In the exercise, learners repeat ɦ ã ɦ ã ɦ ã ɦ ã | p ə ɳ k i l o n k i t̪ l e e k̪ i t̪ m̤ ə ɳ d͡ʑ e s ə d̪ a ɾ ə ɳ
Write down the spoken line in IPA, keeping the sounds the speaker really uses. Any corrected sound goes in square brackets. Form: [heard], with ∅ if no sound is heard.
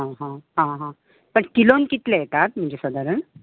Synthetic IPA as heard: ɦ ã ɦ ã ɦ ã ɦ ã | p ə ɳ k i l o n k i t̪ l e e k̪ [a] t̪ m̤ ə ɳ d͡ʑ e s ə d̪ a ɾ ə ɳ